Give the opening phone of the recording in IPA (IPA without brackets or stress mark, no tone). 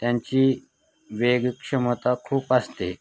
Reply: t̪